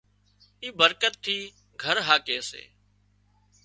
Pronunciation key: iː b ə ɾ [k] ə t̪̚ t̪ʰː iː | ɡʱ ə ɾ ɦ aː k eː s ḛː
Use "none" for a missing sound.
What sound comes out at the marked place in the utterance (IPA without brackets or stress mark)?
k